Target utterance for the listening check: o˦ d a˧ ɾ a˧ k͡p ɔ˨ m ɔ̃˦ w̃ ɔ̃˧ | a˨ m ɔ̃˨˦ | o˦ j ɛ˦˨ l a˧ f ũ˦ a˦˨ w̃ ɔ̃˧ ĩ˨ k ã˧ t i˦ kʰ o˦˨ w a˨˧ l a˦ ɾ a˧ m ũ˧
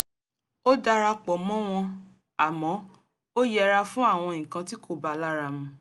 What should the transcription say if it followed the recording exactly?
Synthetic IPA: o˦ d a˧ ɾ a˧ k͡p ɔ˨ m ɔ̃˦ w̃ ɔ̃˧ | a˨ m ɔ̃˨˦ | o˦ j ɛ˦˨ ɾ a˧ f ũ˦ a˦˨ w̃ ɔ̃˧ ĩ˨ k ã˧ t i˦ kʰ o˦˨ b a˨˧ l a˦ ɾ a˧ m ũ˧